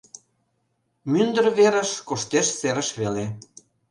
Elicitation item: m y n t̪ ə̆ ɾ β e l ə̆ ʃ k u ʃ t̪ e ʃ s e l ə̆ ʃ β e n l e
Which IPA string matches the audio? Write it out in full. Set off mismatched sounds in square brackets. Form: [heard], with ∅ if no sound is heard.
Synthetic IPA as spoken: m y n [d̪] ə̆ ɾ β e [ɾ] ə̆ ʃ k [o] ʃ t̪ e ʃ s e [ɾ] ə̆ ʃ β e [∅] l e